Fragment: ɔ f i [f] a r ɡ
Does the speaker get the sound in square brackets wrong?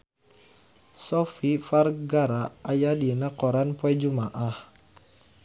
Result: no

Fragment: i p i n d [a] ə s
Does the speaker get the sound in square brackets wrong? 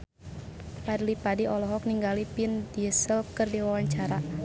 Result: yes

